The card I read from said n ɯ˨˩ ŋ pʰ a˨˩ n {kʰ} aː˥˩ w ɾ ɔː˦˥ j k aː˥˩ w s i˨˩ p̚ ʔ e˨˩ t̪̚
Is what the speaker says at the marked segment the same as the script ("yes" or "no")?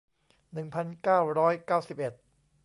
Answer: no